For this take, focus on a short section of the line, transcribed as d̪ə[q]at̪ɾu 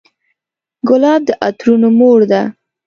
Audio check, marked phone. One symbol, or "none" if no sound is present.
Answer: ʔ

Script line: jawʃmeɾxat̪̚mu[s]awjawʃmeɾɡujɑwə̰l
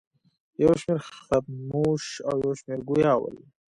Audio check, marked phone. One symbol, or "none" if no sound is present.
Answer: ʃ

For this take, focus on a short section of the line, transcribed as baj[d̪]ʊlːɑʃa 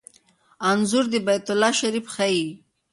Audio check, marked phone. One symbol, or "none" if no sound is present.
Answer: t̪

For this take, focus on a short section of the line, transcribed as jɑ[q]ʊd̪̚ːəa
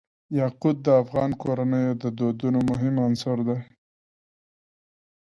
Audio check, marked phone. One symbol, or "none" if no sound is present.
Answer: q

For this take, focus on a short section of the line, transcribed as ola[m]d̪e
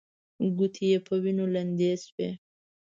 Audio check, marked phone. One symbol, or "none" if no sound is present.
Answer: n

